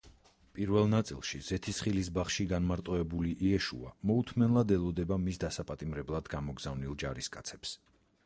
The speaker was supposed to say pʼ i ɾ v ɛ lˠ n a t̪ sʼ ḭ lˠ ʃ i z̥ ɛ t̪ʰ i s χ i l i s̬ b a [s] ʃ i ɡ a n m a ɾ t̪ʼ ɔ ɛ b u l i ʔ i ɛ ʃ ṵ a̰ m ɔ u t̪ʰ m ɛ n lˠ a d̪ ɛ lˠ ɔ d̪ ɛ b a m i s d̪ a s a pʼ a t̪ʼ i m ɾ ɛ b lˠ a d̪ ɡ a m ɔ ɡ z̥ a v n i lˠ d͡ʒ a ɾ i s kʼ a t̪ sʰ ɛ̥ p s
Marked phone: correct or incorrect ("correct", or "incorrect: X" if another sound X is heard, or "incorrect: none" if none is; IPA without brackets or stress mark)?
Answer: incorrect: χ